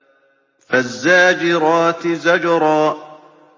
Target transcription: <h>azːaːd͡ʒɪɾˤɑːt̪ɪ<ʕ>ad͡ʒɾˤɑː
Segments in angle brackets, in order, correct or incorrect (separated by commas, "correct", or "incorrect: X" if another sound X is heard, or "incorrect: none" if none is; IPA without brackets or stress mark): incorrect: f, incorrect: z